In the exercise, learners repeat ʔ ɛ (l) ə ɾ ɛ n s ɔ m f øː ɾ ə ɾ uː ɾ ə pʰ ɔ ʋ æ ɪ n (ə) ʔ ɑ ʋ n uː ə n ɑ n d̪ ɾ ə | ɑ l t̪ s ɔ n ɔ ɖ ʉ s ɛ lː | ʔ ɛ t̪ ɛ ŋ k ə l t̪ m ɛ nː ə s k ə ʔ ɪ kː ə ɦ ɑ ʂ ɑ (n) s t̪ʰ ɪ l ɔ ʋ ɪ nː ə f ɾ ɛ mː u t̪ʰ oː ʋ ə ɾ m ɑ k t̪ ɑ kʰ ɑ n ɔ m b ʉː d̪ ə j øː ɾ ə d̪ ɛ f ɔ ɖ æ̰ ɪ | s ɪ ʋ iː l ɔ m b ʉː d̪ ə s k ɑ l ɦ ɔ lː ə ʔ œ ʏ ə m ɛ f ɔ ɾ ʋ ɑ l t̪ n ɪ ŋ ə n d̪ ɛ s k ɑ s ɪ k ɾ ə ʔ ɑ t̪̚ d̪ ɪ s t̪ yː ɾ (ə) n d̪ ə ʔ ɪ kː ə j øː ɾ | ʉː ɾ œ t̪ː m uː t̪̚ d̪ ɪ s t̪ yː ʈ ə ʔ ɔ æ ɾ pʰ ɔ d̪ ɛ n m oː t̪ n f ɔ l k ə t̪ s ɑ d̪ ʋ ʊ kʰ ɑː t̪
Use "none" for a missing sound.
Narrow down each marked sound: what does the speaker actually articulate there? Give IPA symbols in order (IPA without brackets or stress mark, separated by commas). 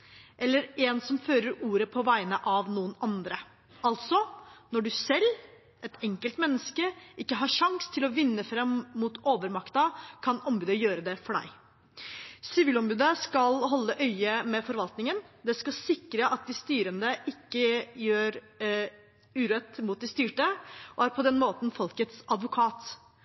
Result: lː, ə, ŋ, ə